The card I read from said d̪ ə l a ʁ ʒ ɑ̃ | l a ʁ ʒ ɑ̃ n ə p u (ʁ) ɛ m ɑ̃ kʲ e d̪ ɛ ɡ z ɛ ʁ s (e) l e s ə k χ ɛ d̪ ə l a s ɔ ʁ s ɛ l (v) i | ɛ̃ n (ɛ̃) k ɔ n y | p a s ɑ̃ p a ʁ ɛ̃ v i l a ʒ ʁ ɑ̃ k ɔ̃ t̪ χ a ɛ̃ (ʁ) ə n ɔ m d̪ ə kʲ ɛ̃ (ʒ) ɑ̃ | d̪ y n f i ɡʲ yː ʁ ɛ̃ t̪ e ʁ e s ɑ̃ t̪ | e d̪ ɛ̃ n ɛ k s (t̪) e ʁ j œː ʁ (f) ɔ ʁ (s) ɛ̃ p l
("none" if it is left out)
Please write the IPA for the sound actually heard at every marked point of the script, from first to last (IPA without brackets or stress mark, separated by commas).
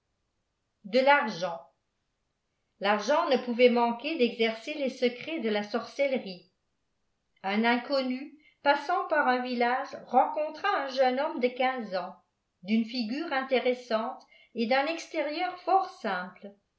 v, e, ʁ, ɛ̃, ʒ, z, t̪, f, s